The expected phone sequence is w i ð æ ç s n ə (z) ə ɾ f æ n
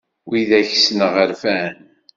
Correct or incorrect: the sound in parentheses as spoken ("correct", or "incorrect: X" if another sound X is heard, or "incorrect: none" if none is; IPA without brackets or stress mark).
incorrect: ʁ